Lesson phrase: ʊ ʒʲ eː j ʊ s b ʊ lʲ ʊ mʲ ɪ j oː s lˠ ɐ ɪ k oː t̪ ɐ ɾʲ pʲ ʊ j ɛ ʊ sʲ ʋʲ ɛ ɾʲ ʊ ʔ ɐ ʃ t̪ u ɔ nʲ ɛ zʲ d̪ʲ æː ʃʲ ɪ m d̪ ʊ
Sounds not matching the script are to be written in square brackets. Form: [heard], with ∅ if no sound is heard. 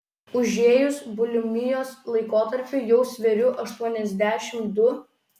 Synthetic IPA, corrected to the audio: ʊ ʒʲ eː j ʊ s b ʊ lʲ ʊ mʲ ɪ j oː s lˠ ɐ ɪ k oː t̪ ɐ ɾʲ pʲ ʊ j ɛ ʊ sʲ ʋʲ ɛ ɾʲ ʊ ʔ ɐ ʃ t̪ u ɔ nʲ ɛ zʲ d̪ʲ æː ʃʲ ɪ m d̪ ʊ